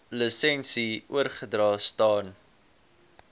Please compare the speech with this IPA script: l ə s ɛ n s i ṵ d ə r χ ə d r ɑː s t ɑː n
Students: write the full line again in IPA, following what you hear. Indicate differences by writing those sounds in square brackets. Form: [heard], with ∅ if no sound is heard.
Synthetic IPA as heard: l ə s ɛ n s i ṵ [∅] ə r χ ə d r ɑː s t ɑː n